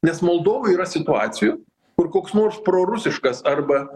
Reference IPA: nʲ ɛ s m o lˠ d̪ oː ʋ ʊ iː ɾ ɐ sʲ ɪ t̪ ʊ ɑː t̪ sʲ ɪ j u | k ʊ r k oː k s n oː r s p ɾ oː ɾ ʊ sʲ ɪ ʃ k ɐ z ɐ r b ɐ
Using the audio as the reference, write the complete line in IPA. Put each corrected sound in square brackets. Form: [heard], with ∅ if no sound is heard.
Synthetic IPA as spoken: nʲ ɛ s m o lˠ d̪ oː ʋ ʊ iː ɾ ɐ sʲ ɪ t̪ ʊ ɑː t̪ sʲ ɪ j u | k ʊ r k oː k s n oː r s p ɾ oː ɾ ʊ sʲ ɪ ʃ k ɐ [s] ɐ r b ɐ